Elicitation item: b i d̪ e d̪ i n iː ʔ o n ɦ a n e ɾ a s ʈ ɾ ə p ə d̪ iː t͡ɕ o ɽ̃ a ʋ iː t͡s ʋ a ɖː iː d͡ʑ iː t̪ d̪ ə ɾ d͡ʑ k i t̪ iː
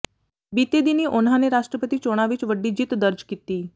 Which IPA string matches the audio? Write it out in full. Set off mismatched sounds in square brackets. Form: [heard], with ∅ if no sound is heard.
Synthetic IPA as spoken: b i [t̪] e d̪ i n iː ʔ o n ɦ a n e ɾ a [ʂ] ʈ ɾ ə p ə [t̪] iː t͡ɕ o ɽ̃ a ʋ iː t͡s ʋ [ə] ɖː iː d͡ʑ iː t̪ d̪ ə ɾ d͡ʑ k i t̪ iː